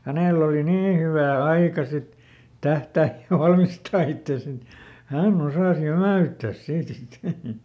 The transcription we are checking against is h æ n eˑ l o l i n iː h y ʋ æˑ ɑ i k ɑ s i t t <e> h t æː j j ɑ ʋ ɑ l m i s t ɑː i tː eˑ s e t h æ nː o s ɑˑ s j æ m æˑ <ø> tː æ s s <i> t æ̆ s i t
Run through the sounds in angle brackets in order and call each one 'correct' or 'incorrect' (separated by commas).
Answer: incorrect, incorrect, incorrect